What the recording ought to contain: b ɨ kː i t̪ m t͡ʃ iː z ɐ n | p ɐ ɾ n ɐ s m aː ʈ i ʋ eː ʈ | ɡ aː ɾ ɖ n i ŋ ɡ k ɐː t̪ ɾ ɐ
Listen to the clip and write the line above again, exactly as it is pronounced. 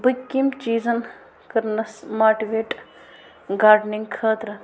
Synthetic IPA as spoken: b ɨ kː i m t͡ʃ iː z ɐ n | k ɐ ɾ n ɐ s m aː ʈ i ʋ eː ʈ | ɡ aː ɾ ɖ n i ŋ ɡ kʰ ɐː t̪ ɾ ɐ